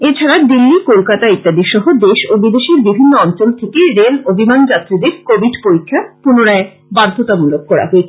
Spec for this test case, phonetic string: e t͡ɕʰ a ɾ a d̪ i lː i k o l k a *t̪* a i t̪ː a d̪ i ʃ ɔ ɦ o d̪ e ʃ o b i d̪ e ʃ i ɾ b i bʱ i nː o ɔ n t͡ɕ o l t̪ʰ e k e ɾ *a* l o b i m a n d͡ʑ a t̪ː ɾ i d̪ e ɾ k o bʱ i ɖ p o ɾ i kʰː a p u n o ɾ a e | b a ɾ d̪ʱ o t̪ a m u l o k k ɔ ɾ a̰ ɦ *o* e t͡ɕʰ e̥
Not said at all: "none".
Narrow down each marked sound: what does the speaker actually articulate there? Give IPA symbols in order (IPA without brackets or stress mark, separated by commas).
t̪, e, o